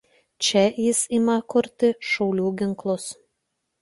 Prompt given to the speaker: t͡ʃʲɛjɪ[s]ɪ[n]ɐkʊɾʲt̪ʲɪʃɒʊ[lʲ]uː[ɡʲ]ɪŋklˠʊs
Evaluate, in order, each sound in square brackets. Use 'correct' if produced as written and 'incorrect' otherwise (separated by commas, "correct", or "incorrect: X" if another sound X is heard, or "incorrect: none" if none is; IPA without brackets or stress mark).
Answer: correct, incorrect: m, correct, correct